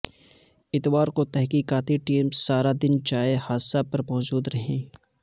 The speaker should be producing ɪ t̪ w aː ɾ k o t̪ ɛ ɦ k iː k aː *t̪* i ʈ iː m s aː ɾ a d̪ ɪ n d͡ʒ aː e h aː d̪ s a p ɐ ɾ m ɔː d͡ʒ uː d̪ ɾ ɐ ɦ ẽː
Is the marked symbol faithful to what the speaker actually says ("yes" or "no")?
yes